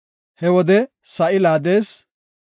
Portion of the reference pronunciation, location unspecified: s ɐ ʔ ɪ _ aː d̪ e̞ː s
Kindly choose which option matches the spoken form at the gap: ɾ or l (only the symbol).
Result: l